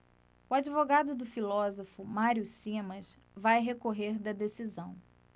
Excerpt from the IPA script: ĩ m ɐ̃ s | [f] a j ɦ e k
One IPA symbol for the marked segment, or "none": v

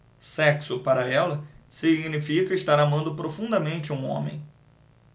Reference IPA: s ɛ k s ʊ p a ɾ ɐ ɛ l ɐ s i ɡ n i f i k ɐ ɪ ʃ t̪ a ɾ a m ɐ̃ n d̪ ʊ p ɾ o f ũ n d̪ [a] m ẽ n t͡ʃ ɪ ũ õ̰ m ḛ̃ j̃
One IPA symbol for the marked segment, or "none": ɐ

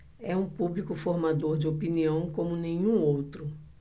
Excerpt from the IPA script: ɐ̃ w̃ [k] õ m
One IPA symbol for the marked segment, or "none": k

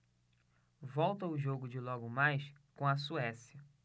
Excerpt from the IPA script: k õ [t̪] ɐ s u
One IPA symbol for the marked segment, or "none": none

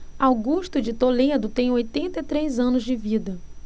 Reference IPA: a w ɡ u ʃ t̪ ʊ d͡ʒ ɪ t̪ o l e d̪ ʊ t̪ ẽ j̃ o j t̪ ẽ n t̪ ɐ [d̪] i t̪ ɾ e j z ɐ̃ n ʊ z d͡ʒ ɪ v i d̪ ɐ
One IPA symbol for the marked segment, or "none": none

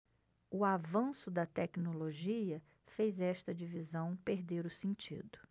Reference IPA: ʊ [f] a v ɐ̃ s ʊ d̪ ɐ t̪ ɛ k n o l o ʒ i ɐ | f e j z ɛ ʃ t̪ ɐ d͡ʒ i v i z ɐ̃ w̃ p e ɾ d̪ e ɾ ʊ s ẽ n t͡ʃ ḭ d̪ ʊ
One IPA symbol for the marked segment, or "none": none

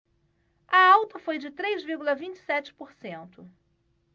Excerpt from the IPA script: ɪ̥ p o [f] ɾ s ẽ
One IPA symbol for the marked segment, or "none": none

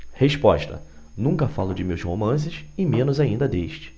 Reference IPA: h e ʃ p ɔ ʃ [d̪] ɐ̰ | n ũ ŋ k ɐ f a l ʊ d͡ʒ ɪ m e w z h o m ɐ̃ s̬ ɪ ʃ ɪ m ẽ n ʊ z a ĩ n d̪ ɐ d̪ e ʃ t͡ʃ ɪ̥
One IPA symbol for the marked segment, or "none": t̪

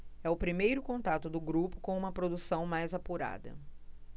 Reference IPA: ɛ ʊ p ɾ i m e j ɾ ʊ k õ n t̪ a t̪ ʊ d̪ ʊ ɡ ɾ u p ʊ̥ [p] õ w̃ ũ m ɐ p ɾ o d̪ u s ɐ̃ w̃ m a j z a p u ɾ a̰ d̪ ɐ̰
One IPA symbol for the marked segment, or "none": k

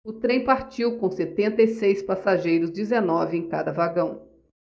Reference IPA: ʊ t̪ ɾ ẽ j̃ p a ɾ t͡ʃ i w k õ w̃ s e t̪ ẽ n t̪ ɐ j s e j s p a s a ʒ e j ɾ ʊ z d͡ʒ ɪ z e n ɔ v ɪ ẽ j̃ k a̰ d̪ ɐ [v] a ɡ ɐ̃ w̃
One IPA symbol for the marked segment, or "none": v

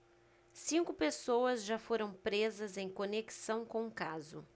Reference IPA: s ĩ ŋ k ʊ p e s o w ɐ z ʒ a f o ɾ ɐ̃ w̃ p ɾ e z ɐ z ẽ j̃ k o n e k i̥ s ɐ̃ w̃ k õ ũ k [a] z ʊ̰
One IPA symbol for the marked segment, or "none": a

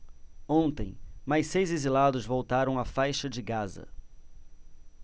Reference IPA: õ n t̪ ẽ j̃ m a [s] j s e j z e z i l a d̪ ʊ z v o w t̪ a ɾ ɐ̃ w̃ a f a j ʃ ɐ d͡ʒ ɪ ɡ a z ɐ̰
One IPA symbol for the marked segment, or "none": none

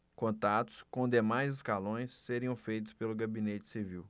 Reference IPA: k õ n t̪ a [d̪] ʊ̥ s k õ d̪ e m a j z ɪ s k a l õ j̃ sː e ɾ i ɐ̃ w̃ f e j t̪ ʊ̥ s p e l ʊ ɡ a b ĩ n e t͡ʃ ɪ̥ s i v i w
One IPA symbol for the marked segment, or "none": t̪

